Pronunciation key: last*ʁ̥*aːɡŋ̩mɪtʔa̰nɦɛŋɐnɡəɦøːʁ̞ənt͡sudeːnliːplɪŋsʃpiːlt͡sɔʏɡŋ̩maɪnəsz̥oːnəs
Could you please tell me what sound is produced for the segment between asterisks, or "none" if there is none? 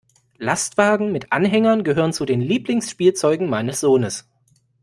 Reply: v̥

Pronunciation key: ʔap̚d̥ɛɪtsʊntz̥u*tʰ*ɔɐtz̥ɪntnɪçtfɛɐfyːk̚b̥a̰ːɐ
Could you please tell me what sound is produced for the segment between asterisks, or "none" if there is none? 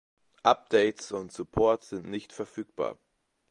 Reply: pʰ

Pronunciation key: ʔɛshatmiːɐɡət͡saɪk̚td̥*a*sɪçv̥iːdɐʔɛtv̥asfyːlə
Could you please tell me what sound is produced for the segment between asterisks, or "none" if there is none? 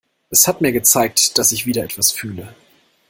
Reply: a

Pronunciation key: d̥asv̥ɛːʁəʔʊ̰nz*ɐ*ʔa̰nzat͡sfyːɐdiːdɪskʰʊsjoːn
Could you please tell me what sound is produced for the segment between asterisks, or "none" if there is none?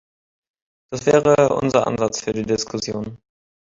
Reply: ɐ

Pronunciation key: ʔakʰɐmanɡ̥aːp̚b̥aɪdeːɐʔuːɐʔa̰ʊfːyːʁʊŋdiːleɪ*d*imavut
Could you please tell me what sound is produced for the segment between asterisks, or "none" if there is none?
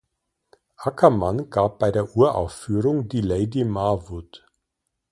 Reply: d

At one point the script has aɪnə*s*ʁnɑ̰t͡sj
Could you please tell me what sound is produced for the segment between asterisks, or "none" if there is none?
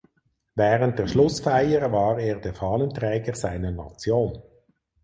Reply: none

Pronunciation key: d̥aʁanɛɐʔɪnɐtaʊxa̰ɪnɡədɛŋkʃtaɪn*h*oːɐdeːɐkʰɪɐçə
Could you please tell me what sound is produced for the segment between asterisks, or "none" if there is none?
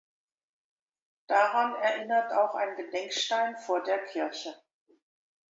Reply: f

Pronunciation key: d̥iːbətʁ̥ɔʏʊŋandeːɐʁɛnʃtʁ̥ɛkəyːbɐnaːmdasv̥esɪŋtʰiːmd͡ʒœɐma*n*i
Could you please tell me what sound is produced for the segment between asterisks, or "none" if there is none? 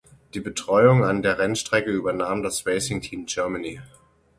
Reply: n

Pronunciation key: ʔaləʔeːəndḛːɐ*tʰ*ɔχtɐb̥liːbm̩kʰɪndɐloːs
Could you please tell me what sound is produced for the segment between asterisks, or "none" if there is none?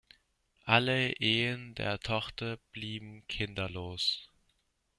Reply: tʰ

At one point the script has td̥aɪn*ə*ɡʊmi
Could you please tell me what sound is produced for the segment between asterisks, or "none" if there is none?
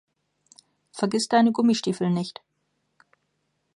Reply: ə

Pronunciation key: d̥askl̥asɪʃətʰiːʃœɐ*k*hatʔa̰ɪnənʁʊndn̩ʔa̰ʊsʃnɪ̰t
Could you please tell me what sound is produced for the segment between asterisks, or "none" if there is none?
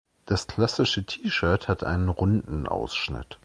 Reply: t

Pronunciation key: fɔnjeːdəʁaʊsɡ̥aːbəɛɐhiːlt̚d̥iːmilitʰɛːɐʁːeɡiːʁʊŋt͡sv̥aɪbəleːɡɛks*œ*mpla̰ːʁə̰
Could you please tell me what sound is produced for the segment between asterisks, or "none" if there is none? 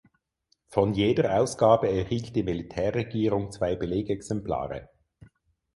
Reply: ɛ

